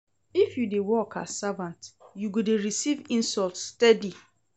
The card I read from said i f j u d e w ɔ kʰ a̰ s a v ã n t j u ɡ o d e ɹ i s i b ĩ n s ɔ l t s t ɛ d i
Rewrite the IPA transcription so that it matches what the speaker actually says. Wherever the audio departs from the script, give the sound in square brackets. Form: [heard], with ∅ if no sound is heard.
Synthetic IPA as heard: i f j u d e w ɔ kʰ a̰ s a v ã n t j u ɡ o d e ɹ i s i [v] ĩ n s ɔ l t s t ɛ d i